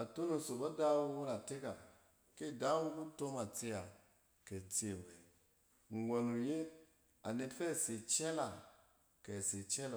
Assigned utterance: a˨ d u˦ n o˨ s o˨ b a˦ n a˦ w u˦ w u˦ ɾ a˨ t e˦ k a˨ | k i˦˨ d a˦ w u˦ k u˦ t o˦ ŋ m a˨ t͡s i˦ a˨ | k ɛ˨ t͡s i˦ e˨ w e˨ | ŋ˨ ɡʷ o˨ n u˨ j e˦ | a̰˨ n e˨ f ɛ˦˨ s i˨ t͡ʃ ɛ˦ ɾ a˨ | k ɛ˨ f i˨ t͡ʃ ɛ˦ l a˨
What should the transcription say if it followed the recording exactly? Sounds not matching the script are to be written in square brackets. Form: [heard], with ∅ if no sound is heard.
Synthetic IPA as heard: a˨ [t] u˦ n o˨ s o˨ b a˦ [d] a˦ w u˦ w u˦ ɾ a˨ t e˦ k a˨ | k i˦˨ d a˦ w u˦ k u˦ t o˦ [∅] m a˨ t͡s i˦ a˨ | k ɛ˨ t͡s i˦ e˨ w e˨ | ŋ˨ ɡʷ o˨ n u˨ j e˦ | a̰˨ n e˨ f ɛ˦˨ s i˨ t͡ʃ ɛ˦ [l] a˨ | k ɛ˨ [s] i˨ t͡ʃ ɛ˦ l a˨